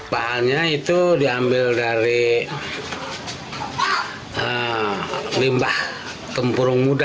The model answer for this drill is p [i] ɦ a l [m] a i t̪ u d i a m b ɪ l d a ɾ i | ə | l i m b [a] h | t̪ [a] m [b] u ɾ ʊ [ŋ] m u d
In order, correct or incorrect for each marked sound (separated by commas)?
incorrect, incorrect, correct, incorrect, incorrect, correct